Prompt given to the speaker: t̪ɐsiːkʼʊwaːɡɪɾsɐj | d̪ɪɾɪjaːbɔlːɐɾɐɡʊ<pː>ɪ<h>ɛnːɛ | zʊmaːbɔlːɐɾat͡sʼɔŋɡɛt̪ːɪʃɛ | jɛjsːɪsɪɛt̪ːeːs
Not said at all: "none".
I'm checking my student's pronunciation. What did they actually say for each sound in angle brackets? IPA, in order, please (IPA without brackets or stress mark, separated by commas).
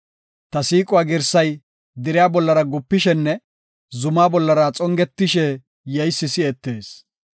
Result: pː, ʃ